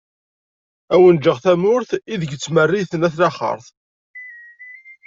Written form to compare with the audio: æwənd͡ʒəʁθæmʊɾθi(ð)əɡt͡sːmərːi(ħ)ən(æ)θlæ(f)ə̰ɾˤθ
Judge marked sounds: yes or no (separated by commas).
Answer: yes, no, yes, no